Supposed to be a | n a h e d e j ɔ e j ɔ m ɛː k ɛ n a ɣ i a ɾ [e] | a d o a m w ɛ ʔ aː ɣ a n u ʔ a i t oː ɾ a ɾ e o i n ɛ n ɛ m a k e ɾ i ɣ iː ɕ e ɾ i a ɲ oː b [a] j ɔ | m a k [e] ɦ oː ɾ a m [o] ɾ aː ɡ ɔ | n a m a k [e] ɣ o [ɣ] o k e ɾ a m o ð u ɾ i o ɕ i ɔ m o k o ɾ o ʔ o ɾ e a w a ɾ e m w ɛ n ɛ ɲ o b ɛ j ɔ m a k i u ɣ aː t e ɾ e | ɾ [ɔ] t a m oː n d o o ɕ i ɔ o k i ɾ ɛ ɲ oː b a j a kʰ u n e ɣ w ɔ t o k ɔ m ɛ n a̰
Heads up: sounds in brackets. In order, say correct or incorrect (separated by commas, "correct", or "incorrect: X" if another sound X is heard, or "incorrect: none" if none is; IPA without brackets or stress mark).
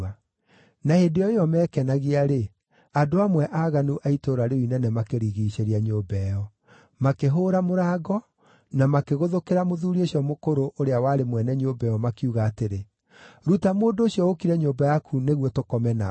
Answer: correct, incorrect: ɛ, correct, correct, correct, incorrect: ð, incorrect: u